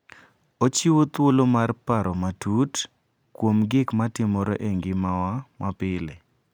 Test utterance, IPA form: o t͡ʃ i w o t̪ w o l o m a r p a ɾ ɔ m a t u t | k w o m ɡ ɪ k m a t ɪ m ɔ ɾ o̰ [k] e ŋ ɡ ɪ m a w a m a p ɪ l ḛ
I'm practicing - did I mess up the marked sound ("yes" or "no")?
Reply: yes